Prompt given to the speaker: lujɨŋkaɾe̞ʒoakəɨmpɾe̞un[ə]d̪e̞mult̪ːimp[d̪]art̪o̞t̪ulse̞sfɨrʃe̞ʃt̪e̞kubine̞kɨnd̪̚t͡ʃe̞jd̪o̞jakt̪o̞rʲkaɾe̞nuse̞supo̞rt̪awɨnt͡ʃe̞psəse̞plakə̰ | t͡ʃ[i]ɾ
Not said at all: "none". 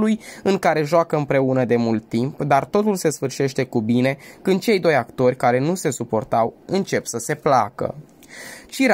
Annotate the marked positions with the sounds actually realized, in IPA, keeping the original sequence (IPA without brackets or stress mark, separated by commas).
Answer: ə, d̪, i